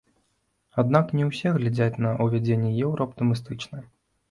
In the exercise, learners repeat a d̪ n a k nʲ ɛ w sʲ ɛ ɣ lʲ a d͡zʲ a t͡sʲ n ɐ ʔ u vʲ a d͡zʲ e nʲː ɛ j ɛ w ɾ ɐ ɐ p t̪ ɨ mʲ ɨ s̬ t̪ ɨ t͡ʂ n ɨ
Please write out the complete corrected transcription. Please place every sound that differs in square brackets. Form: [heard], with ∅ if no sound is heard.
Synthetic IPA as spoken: a d̪ n a k nʲ ɛ w sʲ ɛ ɣ lʲ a d͡zʲ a t͡sʲ n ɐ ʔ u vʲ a d͡zʲ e nʲː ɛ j ɛ w ɾ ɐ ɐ p t̪ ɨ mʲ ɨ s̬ t̪ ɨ t͡ʂ n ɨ